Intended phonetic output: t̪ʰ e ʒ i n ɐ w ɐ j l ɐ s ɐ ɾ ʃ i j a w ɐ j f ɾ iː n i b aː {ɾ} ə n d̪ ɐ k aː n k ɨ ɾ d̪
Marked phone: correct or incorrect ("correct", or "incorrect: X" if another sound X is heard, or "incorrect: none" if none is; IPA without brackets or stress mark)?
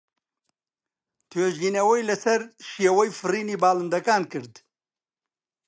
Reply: incorrect: l